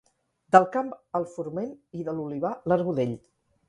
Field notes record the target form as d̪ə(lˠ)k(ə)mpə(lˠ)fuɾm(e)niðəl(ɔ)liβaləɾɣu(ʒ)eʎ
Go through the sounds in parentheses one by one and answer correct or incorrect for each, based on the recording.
correct, incorrect, correct, correct, incorrect, incorrect

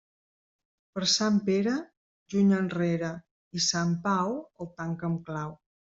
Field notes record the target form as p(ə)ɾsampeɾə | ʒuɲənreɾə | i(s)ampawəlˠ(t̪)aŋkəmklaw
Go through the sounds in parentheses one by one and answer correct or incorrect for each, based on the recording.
correct, correct, correct

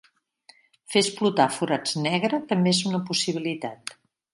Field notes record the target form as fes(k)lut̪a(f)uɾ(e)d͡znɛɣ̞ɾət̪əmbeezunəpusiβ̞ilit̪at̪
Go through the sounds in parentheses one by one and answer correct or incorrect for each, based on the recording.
incorrect, correct, incorrect

